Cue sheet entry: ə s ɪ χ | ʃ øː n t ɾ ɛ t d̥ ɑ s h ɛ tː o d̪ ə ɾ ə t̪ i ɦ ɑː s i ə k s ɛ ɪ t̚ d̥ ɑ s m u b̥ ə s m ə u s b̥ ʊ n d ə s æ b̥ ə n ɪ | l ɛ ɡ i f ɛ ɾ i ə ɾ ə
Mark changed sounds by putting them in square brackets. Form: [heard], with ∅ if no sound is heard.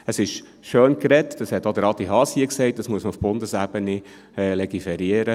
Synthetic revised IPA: ə s ɪ [ʃ] | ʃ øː n [k] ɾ ɛ t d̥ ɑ s h ɛ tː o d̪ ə ɾ [ɑ] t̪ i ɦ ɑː s i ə k s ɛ ɪ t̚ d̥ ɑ s m u [∅] ə s m ə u [f] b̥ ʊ n d ə s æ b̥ ə n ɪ | l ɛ ɡ i f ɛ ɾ i ə ɾ ə